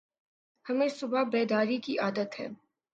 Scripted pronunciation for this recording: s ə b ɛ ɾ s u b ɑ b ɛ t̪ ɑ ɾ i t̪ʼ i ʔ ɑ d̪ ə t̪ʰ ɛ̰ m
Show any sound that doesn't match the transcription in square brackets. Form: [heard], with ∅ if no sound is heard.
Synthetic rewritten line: [h] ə [m] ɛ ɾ s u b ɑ b ɛ [d̪] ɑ ɾ i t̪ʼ i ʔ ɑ d̪ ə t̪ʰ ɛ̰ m